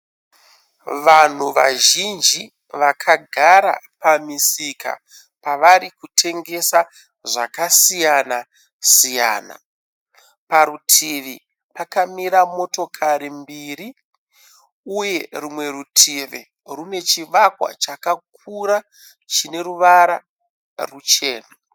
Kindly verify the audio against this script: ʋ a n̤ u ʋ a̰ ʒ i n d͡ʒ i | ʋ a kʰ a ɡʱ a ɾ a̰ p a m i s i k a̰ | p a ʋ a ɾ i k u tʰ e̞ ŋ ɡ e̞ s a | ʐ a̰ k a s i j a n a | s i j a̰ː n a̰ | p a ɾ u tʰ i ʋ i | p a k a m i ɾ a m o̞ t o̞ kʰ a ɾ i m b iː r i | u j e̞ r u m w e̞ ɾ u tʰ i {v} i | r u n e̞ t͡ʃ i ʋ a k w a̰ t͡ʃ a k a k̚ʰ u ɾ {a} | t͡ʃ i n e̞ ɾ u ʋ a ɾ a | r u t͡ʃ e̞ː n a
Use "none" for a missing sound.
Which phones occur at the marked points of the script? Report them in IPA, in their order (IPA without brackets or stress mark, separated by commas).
ʋ, a